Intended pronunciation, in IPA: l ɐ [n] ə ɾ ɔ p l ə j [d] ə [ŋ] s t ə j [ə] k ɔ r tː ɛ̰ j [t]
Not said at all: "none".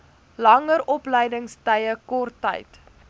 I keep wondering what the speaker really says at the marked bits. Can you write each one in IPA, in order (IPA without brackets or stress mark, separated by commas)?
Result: ŋ, d, ŋ, ə, t